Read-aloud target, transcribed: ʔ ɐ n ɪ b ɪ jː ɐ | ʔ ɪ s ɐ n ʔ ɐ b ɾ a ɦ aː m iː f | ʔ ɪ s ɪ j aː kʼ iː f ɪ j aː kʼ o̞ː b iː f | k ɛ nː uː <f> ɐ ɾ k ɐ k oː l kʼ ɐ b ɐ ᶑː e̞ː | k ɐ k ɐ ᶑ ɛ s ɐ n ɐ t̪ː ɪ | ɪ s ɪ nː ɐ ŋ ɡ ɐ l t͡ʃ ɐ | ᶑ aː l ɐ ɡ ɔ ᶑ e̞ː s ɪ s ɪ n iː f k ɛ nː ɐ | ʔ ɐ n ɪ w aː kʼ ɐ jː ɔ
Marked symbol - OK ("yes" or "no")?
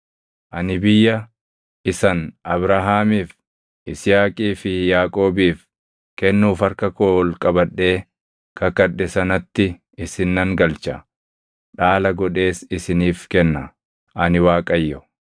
yes